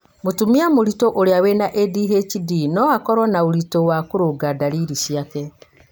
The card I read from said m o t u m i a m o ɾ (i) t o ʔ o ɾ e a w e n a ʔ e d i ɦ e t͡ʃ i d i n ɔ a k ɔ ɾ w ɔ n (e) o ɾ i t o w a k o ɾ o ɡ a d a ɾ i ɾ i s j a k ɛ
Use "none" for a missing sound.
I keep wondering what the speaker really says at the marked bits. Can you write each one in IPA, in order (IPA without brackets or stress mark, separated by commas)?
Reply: i, a